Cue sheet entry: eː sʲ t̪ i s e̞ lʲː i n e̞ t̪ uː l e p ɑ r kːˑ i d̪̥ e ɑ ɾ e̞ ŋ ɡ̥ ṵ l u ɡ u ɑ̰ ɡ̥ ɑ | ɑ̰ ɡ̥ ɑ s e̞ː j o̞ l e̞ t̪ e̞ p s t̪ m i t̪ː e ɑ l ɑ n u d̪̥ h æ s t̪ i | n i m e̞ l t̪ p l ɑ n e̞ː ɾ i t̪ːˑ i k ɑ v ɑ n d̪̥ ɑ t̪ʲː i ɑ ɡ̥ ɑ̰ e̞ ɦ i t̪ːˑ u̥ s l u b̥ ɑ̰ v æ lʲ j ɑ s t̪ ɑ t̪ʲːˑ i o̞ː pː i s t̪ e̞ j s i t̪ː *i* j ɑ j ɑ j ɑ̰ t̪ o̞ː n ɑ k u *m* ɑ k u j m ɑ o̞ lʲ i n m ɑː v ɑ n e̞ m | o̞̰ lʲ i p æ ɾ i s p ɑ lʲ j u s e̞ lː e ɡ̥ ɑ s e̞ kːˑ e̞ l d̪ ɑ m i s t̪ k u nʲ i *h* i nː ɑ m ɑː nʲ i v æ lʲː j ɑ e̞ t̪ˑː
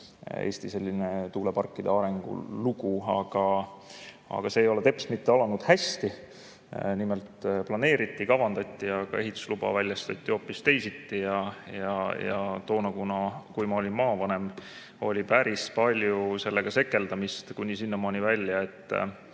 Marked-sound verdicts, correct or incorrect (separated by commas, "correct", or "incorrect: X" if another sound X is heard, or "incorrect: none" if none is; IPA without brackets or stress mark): correct, incorrect: n, incorrect: s